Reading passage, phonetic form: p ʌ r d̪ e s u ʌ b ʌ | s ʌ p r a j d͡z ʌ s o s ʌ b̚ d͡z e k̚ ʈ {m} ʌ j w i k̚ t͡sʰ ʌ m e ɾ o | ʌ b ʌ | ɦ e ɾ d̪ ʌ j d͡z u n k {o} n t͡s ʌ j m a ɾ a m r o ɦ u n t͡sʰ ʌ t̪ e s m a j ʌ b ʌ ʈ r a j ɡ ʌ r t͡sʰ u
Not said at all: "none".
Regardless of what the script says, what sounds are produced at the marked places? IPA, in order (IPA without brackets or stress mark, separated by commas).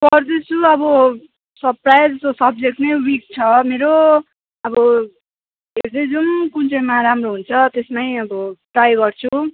n, u